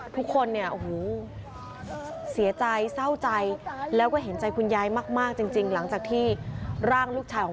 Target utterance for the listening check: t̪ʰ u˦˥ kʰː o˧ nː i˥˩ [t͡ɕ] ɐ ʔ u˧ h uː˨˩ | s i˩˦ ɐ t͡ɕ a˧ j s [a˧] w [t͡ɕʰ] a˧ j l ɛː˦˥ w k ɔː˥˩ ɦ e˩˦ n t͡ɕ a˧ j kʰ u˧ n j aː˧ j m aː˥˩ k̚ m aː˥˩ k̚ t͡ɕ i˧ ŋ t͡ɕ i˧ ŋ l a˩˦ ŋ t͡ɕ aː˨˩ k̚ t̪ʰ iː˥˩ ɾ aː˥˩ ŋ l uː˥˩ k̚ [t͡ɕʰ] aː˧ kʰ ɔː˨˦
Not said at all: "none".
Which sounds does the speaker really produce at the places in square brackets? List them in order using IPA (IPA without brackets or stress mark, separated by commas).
none, a˥˩, t͡ɕ, t͡ɕʰ